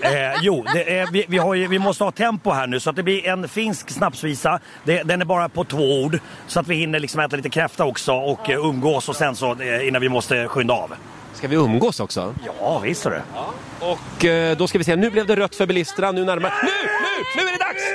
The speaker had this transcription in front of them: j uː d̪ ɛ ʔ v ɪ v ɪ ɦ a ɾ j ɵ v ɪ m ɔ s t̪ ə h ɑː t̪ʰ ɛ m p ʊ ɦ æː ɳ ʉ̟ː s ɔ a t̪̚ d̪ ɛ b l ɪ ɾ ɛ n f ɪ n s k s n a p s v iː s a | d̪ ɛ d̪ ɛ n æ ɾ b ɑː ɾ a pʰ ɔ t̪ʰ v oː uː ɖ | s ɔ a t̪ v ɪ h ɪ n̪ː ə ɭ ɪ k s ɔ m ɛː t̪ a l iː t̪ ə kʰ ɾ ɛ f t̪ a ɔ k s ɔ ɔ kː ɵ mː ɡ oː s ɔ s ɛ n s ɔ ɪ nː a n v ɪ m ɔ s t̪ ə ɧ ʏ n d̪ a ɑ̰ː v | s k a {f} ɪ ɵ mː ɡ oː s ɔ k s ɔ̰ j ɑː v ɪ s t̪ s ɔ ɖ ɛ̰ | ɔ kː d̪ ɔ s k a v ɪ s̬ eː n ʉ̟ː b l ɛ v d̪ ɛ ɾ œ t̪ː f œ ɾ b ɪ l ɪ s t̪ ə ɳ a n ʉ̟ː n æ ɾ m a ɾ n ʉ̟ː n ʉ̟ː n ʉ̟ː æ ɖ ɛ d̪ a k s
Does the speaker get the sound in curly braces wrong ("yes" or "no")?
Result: yes